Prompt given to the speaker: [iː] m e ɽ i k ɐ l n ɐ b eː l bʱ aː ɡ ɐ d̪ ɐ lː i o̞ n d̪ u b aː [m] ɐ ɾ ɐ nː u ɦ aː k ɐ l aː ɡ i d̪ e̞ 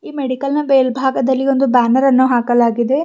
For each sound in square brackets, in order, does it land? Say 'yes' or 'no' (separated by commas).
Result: yes, no